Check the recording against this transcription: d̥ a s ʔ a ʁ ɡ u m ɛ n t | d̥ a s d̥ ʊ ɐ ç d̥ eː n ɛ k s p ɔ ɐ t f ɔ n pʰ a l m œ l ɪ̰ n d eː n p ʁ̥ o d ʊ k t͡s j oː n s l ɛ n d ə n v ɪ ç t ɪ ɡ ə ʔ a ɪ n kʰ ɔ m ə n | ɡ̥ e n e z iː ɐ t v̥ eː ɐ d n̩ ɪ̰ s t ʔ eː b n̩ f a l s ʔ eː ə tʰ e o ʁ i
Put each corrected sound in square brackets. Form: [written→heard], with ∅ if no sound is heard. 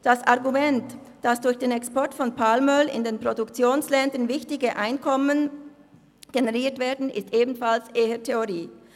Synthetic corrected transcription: d̥ a s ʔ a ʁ ɡ u m ɛ n t | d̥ a s d̥ ʊ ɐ ç d̥ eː n ɛ k s p ɔ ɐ t f ɔ n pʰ a l m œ l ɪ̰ n d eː n p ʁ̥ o d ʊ k t͡s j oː n s l ɛ n d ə n v ɪ ç t ɪ ɡ ə ʔ a ɪ n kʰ ɔ m ə n | ɡ̥ e n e [z→ʁ] iː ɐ t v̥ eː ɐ d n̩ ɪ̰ s t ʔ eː b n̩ f a l s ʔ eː ə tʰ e o ʁ [i→iː]